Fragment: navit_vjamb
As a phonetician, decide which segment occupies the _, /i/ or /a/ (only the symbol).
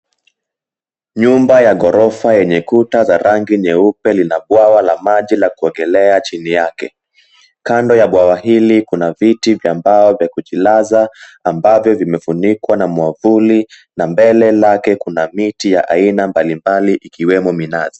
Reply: i